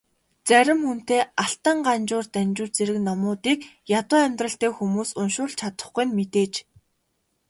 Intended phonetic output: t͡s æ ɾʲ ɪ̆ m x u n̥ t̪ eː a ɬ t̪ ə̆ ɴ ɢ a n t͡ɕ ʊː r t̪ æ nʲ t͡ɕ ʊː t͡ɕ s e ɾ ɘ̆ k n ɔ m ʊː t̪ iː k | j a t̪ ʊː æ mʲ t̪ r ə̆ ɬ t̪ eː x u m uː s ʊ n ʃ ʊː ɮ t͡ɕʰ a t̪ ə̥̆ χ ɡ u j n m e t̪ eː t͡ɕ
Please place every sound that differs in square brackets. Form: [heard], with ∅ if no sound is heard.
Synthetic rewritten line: t͡s æ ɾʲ ɪ̆ m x u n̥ t̪ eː a ɬ t̪ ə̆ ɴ ɢ a n t͡ɕ ʊː r t̪ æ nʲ t͡ɕ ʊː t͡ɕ [t͡s] e ɾ ɘ̆ k n ɔ m ʊː t̪ iː k | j a t̪ ʊː æ mʲ t̪ r ə̆ ɬ t̪ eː x u m uː s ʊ n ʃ ʊː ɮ t͡ɕʰ a t̪ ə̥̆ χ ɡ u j n m e t̪ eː t͡ɕ